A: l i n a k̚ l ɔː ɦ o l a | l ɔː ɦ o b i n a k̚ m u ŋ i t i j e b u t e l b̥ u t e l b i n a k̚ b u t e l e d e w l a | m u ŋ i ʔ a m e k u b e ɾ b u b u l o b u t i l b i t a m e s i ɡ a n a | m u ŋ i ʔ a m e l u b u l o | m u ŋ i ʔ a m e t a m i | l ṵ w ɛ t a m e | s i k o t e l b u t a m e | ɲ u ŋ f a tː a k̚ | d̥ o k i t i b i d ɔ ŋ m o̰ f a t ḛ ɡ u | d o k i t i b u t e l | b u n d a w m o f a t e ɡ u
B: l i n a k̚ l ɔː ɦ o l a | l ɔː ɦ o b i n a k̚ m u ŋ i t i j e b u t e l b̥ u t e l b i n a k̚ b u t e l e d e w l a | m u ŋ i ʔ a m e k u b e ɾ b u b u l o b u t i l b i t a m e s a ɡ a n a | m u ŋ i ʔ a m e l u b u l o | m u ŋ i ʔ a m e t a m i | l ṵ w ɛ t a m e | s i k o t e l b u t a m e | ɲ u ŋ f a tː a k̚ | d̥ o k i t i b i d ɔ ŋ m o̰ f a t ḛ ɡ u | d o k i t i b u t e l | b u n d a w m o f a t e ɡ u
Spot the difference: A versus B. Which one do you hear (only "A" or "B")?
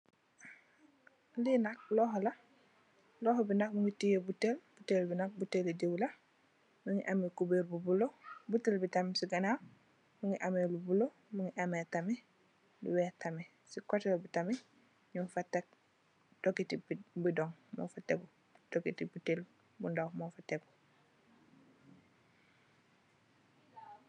A